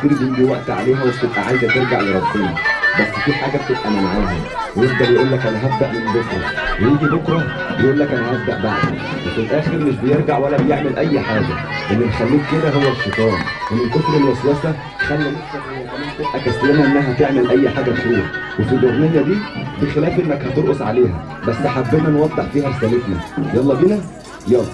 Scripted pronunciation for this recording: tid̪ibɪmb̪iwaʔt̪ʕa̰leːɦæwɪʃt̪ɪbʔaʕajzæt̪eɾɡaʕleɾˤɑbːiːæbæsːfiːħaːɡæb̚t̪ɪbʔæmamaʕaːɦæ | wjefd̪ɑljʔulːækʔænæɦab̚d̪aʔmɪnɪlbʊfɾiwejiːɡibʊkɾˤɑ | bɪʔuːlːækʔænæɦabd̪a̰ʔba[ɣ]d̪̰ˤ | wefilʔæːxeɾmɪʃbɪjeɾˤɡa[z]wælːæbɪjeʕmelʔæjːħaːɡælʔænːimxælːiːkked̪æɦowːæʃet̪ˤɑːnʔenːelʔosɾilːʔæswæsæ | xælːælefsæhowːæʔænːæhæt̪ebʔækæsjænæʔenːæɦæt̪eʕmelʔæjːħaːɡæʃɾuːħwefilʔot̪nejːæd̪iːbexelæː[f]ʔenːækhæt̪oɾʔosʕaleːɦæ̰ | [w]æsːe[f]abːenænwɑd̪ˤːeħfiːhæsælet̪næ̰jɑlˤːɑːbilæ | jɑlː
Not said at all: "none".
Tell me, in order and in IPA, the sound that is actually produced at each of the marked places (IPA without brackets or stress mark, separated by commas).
ʕ, ʕ, f, b, ħ